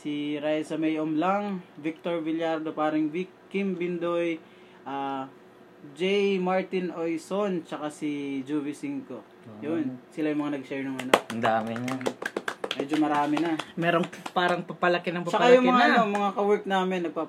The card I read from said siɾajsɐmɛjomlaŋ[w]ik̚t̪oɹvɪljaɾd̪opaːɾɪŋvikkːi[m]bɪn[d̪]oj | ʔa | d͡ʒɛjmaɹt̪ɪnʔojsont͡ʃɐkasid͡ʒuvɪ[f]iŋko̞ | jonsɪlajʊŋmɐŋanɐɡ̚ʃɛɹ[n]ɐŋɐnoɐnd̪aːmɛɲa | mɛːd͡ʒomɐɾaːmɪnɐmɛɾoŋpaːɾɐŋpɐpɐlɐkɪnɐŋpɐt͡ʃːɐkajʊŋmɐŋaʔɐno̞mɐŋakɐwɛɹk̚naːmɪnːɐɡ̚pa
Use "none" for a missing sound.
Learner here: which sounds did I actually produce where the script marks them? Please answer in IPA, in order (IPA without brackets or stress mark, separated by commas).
v, m, d̪, s, n